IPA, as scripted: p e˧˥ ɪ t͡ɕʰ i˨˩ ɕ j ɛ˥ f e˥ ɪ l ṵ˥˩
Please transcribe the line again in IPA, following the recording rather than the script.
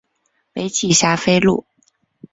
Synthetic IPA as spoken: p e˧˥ ɪ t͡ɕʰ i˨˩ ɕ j a˥ f e˥ ɪ l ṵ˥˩